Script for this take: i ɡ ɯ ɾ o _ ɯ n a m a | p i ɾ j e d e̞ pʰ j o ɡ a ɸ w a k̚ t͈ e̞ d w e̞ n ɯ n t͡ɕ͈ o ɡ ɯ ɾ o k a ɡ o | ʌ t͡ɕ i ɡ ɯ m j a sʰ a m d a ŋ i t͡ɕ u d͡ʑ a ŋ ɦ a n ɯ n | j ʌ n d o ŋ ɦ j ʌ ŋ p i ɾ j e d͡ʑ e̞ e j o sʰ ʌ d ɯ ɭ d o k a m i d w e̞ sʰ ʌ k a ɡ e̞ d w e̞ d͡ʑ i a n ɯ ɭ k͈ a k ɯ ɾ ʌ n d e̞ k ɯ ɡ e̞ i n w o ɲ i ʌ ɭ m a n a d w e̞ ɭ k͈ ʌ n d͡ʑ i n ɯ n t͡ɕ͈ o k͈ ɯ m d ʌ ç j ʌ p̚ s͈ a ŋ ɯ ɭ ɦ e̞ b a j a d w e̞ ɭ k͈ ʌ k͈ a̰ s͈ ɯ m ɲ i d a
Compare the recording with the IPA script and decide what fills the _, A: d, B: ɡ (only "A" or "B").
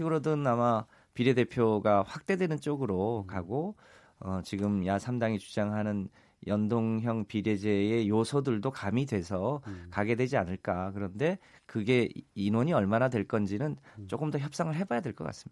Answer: A